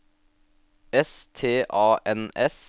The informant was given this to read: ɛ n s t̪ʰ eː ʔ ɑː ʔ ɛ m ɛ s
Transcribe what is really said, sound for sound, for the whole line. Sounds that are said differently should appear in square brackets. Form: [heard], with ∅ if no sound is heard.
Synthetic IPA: ɛ [∅] s t̪ʰ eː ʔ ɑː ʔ ɛ [n] ɛ s